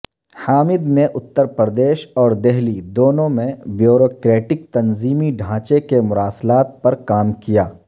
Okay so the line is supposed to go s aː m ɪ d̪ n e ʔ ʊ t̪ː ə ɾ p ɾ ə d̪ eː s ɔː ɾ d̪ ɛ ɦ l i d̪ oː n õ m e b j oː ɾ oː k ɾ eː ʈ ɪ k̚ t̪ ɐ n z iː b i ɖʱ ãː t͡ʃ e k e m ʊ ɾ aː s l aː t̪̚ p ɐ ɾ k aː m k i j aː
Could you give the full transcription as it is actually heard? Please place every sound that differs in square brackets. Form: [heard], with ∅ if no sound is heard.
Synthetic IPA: [h] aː m ɪ d̪ n e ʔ ʊ t̪ː ə ɾ p ɾ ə d̪ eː [ʃ] ɔː ɾ d̪ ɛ ɦ l i d̪ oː n õ m [ẽ] b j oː ɾ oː k ɾ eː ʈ ɪ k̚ t̪ ɐ n z iː [m] i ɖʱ ãː t͡ʃ e k e m ʊ ɾ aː s l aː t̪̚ p ɐ ɾ k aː m k i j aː